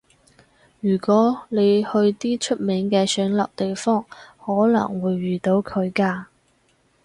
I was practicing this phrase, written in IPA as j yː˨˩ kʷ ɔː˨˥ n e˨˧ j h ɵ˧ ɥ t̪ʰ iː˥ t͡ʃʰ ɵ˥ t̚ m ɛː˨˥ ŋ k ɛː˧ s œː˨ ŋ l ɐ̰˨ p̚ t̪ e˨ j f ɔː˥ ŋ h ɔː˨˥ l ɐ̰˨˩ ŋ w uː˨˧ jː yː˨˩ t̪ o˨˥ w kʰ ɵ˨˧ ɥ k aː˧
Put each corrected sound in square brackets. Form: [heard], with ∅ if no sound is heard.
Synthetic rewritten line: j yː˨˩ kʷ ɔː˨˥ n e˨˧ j h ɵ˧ ɥ [t̪] iː˥ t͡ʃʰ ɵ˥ t̚ m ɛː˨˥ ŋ k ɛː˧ s [œː˨˥] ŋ l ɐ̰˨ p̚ t̪ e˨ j f ɔː˥ ŋ h ɔː˨˥ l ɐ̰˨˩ ŋ w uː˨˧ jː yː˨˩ t̪ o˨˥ w kʰ ɵ˨˧ ɥ k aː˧

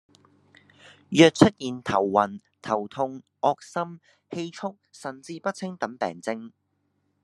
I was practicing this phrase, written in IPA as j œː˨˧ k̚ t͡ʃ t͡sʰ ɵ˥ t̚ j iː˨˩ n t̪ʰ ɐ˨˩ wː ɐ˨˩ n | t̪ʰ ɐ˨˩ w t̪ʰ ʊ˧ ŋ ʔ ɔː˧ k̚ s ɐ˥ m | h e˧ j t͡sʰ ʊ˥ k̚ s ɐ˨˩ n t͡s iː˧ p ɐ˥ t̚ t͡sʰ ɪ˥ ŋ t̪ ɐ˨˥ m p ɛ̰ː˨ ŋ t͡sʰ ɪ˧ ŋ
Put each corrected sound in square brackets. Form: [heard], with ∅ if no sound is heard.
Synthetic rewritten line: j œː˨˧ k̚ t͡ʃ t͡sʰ ɵ˥ t̚ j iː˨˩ n t̪ʰ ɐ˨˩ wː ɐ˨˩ n | t̪ʰ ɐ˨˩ w t̪ʰ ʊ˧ ŋ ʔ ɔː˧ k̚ s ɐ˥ m | h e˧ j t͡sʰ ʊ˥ k̚ s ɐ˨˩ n t͡s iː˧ p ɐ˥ t̚ t͡sʰ ɪ˥ ŋ t̪ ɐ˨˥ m p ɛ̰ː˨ ŋ [t͡s] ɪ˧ ŋ

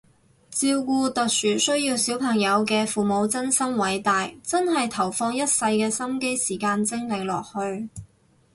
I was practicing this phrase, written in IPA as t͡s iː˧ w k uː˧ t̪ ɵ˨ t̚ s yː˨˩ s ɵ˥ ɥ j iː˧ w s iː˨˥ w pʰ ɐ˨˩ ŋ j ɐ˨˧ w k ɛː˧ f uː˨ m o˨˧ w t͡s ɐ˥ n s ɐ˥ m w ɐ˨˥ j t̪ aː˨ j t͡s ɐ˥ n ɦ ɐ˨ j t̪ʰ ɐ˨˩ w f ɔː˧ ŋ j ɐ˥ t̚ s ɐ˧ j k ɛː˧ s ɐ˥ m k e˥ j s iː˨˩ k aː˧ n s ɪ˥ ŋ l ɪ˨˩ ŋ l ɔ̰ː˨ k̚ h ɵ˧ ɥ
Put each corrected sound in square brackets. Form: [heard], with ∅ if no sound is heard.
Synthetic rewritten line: t͡s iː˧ w k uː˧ t̪ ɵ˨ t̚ s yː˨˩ s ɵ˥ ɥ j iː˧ w s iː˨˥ w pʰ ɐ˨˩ ŋ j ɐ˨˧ w k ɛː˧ f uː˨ m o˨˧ w t͡s ɐ˥ n s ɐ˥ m w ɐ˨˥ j t̪ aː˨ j t͡s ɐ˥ n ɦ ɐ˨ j t̪ʰ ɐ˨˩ w f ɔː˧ ŋ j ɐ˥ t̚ s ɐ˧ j k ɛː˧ s ɐ˥ m k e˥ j s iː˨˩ k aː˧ n [t͡s] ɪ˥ ŋ l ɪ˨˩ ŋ l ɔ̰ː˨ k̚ h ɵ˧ ɥ

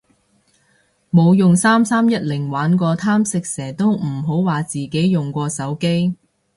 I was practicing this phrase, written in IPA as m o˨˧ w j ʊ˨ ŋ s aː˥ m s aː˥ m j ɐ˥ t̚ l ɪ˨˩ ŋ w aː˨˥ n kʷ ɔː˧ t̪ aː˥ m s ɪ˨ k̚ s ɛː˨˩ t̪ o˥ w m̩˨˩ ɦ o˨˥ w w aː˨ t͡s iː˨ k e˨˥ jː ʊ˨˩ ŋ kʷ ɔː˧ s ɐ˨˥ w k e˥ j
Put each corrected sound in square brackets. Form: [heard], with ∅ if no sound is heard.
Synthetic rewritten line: m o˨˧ w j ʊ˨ ŋ s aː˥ m s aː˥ m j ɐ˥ t̚ l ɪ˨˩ ŋ w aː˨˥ n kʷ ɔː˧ [t̪ʰ] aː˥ m s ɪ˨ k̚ s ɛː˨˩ t̪ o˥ w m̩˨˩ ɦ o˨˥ w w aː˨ t͡s iː˨ k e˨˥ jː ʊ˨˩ ŋ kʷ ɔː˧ s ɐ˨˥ w k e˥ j

